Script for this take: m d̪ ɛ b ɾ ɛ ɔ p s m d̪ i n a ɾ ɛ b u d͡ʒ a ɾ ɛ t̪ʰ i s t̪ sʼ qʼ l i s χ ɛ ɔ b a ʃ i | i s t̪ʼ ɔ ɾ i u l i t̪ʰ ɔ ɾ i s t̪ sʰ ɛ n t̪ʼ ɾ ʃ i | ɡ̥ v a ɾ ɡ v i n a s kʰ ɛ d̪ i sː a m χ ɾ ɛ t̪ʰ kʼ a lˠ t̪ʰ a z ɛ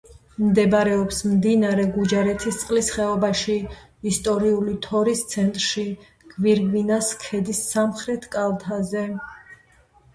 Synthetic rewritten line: m d̪ ɛ b ɾ ɛ ɔ p s m d̪ i n a ɾ ɛ ɡ u d͡ʒ a ɾ ɛ t̪ʰ i s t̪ sʼ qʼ l i s χ ɛ ɔ b a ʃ i | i s t̪ʼ ɔ ɾ i u l i t̪ʰ ɔ ɾ i s t̪ sʰ ɛ n t̪ʼ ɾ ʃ i | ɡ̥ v i ɾ ɡ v i n a s kʰ ɛ d̪ i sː a m χ ɾ ɛ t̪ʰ kʼ a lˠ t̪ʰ a z ɛ